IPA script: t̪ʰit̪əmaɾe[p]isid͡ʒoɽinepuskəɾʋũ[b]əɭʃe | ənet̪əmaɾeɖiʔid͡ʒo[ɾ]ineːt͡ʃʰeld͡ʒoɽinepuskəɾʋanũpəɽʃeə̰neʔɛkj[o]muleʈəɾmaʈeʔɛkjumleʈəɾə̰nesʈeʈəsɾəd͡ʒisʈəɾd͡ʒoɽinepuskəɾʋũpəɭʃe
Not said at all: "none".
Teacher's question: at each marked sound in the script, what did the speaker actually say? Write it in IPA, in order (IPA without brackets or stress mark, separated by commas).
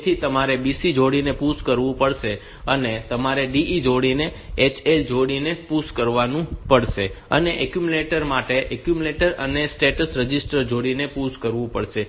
b, p, ɽ, u